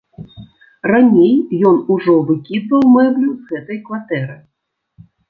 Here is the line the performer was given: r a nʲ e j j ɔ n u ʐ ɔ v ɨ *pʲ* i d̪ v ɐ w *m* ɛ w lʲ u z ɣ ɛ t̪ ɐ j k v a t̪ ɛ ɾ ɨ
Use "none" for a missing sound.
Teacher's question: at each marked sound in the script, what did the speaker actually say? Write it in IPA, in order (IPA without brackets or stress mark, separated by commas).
kʲ, m